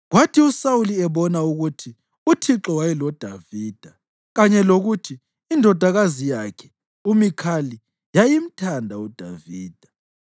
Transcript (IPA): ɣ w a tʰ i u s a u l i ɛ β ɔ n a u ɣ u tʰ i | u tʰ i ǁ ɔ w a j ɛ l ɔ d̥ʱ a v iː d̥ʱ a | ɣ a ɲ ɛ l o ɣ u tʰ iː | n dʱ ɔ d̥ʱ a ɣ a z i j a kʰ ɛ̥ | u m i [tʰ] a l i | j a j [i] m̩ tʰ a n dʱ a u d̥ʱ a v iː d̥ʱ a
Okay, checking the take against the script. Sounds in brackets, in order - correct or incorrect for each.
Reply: incorrect: kʰ, correct

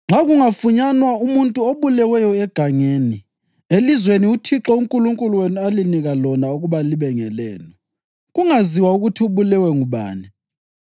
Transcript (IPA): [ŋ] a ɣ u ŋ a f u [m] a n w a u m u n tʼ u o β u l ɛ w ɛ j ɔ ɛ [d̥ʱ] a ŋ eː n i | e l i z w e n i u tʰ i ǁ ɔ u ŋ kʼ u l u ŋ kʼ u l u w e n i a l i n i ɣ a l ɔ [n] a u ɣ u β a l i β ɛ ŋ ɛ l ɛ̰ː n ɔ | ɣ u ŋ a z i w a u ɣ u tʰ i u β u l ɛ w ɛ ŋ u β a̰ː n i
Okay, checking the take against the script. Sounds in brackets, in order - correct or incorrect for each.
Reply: incorrect: ŋ͡ǁ, incorrect: ɲ, incorrect: ɡ̥ʱ, correct

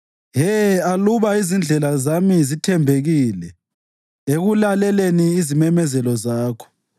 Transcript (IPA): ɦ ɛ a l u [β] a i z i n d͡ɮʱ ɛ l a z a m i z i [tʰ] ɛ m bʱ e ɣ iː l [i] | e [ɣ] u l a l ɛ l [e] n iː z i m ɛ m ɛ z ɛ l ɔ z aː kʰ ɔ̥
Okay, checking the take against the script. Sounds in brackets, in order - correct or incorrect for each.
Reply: correct, correct, incorrect: ɛ, correct, correct

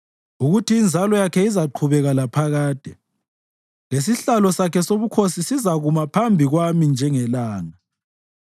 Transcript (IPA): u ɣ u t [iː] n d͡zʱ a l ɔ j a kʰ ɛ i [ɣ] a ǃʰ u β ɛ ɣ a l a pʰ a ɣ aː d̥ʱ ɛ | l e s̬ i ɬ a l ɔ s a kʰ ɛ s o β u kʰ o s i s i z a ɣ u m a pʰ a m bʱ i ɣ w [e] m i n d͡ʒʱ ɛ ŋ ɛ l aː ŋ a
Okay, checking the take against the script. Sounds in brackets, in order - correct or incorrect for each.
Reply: correct, incorrect: z, incorrect: a

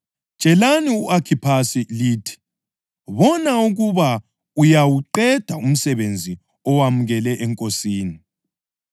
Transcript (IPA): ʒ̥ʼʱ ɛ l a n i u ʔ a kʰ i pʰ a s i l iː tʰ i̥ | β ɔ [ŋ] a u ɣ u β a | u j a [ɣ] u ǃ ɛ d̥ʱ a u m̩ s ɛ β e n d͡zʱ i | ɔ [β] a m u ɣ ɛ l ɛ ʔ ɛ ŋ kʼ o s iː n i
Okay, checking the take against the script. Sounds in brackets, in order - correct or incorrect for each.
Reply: incorrect: n, incorrect: w, incorrect: w

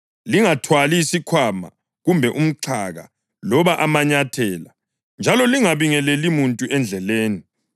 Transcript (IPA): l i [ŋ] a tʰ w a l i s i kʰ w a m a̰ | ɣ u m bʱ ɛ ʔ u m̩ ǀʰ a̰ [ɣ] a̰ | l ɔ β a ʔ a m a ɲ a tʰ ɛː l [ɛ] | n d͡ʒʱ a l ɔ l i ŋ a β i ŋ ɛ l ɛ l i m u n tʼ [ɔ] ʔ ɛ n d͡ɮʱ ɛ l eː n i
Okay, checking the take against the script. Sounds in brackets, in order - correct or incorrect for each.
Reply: correct, correct, incorrect: a, incorrect: u

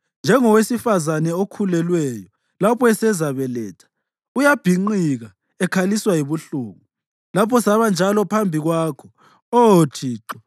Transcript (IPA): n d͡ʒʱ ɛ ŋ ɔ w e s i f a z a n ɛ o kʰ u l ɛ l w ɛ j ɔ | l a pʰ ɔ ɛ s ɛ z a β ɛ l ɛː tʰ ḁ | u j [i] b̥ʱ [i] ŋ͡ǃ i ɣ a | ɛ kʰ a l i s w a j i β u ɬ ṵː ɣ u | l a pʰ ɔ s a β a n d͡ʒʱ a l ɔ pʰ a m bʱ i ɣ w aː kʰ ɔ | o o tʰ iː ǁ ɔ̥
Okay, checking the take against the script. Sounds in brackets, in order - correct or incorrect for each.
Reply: incorrect: a, correct

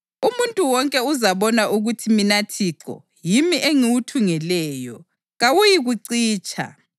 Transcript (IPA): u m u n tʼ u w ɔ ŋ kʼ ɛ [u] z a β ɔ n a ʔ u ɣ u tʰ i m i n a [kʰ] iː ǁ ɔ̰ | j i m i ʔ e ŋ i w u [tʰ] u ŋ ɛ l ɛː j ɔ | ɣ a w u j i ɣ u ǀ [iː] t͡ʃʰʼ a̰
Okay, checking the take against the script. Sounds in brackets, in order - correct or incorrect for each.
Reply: correct, incorrect: tʰ, correct, correct

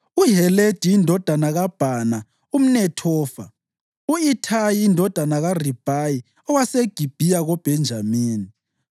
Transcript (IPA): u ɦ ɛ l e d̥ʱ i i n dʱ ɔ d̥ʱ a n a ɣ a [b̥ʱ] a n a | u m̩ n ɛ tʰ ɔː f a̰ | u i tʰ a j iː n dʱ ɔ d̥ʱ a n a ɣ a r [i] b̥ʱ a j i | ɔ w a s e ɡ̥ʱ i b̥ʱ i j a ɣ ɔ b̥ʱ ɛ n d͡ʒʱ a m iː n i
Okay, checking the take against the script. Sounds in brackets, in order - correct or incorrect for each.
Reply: correct, correct

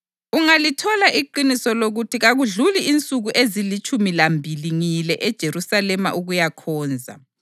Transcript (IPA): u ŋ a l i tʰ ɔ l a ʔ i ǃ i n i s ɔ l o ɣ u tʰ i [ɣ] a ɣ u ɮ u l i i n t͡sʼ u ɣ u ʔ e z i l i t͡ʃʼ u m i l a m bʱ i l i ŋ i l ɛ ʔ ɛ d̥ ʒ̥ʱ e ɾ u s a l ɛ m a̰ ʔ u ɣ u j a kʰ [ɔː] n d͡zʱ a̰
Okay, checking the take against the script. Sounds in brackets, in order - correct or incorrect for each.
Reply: correct, correct

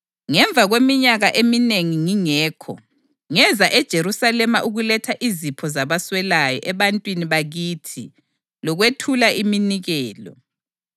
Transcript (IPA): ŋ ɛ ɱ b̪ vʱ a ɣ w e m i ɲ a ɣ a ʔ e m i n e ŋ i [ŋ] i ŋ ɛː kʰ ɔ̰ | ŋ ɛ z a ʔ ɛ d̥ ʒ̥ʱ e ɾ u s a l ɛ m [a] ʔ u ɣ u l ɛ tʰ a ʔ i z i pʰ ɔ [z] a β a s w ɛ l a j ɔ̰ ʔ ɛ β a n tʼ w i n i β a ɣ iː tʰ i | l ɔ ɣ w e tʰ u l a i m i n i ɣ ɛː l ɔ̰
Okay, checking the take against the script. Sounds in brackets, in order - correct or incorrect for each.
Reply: correct, correct, correct

